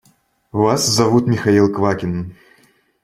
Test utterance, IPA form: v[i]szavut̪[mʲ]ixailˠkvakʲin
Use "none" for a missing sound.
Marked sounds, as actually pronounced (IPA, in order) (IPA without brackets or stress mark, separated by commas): a, mʲ